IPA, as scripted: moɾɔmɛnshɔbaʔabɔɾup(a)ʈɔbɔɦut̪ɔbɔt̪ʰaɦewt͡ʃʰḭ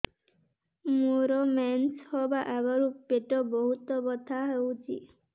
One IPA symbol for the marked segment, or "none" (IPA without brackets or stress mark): e